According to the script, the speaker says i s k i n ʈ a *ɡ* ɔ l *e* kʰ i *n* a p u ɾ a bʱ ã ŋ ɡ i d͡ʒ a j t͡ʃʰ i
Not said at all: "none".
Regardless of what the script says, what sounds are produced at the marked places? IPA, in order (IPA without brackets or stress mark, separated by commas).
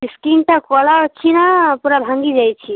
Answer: k, a, n